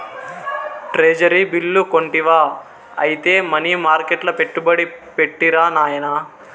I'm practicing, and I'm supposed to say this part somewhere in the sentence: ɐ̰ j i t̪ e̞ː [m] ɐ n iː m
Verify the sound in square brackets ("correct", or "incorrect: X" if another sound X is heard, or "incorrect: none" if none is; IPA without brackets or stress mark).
correct